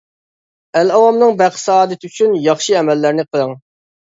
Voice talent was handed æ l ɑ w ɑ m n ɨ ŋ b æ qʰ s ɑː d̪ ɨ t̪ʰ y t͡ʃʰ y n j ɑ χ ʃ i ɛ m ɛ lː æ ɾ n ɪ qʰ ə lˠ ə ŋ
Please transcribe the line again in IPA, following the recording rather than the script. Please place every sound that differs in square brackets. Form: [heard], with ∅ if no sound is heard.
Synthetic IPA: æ l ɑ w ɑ m n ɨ ŋ b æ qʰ s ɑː d̪ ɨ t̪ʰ y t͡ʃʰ y n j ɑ χ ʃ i ɛ m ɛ lː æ ɾ n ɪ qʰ ə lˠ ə ŋ